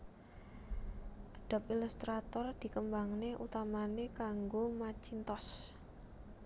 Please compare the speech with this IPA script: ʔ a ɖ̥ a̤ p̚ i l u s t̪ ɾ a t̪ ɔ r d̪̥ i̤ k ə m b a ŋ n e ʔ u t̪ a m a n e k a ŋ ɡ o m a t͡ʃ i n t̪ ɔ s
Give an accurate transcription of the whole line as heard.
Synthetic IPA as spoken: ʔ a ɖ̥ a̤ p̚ i l u s t̪ ɾ a t̪ ɔ r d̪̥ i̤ k ə m b a ŋ n e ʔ u t̪ a m a n e k a ŋ ɡ o m a t͡ʃ i n t̪ ɔ s